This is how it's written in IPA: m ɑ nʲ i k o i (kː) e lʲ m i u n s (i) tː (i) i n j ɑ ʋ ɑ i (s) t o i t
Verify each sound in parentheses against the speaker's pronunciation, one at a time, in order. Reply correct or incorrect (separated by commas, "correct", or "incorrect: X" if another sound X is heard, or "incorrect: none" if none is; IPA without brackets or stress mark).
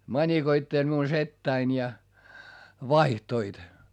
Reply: incorrect: tː, incorrect: e, incorrect: æ, incorrect: h